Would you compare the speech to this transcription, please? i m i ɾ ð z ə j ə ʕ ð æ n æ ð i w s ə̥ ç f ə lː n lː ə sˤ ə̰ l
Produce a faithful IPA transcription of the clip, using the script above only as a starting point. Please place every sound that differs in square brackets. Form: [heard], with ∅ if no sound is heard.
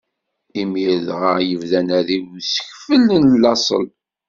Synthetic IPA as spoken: i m i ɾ ð [ʁ] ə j ə [v] ð æ n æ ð i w s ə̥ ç f ə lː n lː [ɑ] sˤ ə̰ l